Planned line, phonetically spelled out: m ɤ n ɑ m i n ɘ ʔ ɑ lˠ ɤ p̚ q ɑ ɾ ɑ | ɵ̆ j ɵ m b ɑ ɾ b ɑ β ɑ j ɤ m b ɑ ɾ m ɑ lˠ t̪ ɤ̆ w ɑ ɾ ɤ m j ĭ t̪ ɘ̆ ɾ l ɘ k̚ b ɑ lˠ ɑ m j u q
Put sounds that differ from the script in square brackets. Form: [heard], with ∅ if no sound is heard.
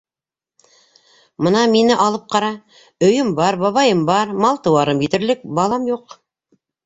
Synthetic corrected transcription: m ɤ n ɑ m i n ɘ ʔ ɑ lˠ ɤ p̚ q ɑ ɾ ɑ | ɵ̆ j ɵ m b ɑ ɾ b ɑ β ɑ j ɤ m b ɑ ɾ m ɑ lˠ t̪ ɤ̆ w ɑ ɾ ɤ m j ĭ t̪ ɘ̆ ɾ l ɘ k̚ b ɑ lˠ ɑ m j u q